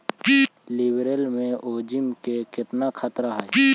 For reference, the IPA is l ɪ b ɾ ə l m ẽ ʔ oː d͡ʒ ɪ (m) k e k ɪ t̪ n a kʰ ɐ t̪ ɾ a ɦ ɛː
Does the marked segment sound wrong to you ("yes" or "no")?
no